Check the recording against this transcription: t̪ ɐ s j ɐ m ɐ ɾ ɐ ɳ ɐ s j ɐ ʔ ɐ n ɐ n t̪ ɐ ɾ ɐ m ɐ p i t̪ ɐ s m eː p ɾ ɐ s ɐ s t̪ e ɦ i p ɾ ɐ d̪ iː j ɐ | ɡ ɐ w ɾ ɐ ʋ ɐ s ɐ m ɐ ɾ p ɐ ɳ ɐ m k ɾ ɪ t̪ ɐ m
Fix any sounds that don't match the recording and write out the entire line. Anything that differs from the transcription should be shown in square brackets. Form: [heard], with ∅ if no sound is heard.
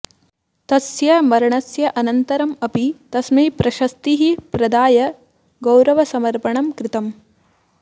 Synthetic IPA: t̪ ɐ s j ɐ m ɐ ɾ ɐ ɳ ɐ s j ɐ ʔ ɐ n ɐ n t̪ ɐ ɾ ɐ m ɐ p i t̪ ɐ s m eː p ɾ ɐ [ʃ] ɐ s t̪ [i] ɦ i p ɾ ɐ d̪ [aː] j ɐ | ɡ ɐ w ɾ ɐ ʋ ɐ s ɐ m ɐ ɾ p ɐ ɳ ɐ m k ɾ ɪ t̪ ɐ m